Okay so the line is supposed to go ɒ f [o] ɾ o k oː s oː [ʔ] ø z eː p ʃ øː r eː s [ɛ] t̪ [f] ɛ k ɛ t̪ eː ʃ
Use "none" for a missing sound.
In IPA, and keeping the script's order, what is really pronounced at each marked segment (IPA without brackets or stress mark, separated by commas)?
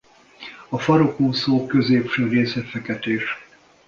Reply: ɒ, k, ɛ, f